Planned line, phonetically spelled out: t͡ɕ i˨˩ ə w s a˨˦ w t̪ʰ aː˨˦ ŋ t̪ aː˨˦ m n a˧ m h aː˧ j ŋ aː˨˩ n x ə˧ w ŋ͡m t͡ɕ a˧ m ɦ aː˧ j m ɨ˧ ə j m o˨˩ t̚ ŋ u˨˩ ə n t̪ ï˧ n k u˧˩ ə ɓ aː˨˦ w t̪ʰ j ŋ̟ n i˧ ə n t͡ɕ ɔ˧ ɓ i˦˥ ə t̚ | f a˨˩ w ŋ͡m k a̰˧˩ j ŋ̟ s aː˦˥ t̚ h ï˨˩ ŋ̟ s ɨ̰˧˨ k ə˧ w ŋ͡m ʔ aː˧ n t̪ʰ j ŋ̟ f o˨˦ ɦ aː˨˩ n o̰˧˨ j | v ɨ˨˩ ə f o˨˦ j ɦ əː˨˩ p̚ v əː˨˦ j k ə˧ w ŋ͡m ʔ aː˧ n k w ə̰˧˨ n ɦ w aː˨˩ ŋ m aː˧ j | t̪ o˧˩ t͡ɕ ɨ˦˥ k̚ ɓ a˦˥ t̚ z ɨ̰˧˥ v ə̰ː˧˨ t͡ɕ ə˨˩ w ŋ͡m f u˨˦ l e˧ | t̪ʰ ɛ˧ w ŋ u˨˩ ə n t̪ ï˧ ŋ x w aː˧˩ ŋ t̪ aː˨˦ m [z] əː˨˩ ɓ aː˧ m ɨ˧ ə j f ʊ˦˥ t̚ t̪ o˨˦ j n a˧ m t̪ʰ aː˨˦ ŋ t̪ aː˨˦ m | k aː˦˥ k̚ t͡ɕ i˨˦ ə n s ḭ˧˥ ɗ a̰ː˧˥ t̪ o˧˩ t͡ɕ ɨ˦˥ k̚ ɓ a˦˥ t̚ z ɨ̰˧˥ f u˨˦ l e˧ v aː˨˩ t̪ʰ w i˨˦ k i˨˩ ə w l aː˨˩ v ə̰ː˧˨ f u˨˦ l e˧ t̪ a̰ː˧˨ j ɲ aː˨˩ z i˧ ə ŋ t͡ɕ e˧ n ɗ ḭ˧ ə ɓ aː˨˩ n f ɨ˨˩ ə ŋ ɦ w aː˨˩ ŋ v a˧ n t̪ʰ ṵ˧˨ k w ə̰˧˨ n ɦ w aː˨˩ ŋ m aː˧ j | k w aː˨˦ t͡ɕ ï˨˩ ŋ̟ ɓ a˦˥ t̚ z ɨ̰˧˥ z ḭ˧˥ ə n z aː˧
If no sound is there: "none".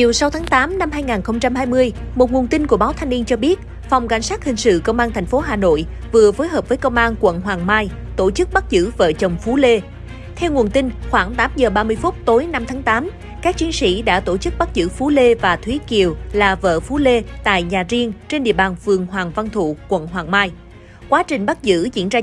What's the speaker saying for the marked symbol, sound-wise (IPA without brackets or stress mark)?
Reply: z